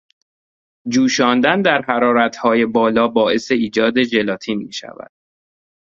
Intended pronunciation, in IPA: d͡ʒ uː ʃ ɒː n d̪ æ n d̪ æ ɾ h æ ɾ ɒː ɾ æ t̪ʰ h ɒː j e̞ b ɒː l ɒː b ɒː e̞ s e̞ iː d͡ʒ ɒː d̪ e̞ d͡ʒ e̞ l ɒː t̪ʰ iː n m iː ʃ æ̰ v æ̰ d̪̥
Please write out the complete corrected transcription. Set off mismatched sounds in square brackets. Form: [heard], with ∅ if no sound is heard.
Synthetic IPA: d͡ʒ uː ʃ ɒː n d̪ æ n d̪ æ ɾ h æ ɾ ɒː ɾ æ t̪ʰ h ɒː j e̞ b ɒː l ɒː b ɒː e̞ s e̞ iː d͡ʒ ɒː d̪ e̞ d͡ʒ e̞ l ɒː t̪ʰ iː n m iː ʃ æ̰ v æ̰ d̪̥